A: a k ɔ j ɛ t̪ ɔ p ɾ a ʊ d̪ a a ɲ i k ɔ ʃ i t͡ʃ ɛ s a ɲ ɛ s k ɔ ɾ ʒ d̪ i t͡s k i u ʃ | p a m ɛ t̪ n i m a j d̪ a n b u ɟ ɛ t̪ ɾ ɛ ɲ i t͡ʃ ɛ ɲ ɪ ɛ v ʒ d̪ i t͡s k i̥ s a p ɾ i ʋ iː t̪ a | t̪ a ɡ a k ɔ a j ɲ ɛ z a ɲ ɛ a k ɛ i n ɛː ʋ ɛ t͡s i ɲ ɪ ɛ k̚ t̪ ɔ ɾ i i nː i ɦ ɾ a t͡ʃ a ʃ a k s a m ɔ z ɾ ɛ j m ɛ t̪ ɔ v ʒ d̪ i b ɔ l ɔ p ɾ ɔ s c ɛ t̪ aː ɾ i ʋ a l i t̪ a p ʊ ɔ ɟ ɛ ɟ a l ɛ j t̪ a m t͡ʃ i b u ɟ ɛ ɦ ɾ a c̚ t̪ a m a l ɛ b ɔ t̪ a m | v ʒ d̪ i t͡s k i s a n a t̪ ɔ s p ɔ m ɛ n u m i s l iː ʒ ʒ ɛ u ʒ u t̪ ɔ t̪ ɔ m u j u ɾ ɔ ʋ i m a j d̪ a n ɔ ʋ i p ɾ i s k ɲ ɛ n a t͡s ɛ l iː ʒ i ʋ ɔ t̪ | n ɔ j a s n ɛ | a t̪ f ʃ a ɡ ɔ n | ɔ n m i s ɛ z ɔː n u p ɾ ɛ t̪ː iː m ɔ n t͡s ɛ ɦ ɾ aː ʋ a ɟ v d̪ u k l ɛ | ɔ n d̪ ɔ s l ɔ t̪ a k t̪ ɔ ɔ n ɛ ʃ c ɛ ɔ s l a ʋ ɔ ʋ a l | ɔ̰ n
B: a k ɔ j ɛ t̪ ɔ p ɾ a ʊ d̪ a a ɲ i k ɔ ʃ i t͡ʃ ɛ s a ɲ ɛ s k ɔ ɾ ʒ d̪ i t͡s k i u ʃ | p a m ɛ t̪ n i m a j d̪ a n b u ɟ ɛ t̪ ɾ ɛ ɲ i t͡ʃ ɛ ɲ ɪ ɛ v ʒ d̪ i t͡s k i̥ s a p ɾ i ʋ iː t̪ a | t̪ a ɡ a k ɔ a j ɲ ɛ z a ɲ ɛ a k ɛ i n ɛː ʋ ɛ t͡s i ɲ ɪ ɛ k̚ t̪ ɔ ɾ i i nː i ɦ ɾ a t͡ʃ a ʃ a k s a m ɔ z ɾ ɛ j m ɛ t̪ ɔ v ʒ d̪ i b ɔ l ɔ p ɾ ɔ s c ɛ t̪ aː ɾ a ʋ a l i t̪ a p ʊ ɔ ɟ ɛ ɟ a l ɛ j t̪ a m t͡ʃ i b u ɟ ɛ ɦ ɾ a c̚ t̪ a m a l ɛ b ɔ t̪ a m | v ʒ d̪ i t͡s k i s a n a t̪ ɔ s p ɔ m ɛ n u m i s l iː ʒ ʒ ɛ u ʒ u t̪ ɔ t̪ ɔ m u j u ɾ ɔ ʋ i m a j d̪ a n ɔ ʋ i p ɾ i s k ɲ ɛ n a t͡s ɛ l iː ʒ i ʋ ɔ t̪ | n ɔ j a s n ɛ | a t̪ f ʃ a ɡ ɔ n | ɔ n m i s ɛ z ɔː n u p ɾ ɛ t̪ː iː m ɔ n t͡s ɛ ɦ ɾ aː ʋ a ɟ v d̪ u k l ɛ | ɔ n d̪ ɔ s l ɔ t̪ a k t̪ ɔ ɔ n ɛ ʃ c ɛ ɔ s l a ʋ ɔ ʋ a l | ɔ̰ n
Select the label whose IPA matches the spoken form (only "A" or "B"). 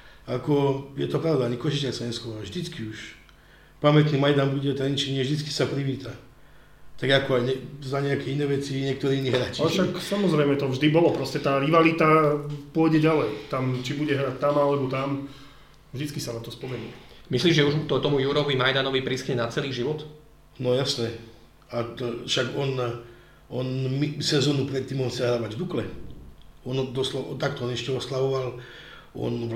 A